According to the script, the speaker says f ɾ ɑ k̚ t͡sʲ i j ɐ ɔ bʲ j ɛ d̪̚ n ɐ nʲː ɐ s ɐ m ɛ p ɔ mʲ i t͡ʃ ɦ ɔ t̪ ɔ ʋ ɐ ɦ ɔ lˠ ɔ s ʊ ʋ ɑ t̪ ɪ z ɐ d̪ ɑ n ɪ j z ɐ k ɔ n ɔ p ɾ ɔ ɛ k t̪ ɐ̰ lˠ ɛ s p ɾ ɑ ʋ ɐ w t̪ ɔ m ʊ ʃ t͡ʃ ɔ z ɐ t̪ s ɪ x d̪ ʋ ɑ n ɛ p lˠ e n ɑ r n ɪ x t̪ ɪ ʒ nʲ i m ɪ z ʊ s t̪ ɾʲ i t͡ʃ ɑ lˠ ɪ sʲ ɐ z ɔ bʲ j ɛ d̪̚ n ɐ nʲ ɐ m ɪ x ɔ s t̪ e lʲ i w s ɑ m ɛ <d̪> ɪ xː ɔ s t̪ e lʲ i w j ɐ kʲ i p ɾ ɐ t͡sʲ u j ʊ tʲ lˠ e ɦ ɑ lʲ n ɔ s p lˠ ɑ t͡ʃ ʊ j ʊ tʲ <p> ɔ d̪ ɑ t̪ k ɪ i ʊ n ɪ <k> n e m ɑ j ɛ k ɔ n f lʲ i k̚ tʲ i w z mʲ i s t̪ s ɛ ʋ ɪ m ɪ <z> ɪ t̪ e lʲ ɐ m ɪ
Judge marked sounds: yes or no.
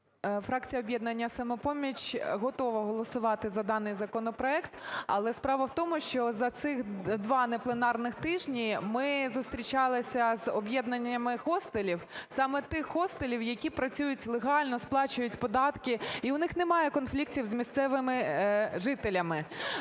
no, yes, no, no

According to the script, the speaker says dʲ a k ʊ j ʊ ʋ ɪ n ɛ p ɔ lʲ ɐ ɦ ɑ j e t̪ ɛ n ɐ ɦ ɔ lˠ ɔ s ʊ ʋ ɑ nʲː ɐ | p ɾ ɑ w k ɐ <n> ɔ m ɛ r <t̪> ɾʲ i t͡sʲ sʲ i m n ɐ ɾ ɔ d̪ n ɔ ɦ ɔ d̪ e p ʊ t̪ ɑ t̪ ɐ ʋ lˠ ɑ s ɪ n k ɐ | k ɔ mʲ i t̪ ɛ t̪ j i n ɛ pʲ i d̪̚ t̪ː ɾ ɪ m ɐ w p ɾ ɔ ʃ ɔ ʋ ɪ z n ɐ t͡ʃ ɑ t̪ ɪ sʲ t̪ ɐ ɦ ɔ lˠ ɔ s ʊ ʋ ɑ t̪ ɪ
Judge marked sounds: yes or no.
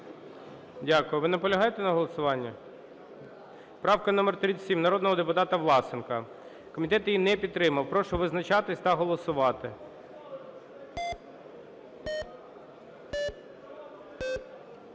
yes, yes

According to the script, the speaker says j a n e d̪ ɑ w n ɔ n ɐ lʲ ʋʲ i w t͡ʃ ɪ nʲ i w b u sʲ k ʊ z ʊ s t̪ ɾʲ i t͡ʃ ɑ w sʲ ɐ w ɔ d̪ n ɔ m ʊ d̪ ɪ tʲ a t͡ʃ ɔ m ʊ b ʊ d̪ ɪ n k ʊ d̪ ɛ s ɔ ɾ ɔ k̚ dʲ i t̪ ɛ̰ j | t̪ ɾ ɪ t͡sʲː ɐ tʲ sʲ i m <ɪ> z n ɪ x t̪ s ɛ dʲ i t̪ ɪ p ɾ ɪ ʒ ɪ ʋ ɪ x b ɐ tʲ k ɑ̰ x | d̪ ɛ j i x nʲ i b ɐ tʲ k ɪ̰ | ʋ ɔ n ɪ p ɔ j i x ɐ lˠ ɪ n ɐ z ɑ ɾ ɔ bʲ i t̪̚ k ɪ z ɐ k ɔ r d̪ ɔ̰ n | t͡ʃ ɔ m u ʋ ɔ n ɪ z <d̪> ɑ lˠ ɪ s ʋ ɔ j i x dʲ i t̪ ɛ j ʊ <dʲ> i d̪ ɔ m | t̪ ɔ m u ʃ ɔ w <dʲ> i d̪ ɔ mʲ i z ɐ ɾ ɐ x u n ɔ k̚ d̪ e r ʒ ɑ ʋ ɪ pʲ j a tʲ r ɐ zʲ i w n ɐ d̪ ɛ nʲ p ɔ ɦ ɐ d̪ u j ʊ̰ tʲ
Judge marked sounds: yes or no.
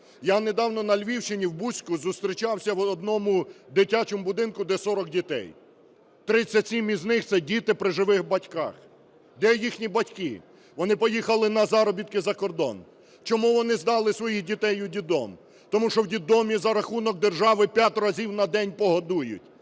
no, yes, yes, yes

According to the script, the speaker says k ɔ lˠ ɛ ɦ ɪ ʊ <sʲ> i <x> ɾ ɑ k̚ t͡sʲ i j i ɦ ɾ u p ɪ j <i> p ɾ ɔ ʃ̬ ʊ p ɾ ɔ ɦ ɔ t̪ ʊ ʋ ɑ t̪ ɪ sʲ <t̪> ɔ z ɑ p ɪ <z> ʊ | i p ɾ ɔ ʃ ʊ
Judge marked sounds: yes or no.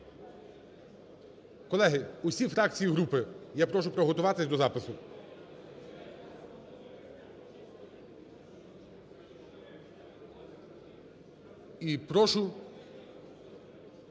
yes, no, no, no, no

